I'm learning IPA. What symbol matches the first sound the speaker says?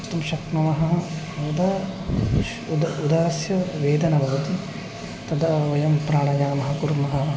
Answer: t̪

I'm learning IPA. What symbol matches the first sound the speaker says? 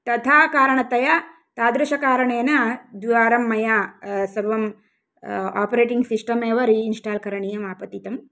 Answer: t̪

